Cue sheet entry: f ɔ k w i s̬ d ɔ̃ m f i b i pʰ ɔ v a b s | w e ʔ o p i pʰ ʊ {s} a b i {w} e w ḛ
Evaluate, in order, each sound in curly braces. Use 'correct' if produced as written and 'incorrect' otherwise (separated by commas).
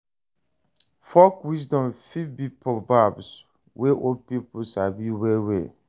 correct, correct